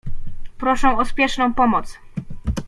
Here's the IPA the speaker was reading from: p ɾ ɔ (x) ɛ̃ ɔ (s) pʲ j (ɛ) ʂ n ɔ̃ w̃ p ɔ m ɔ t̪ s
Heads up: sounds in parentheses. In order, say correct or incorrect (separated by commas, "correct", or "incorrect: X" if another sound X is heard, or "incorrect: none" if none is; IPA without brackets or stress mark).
incorrect: ʂ, correct, correct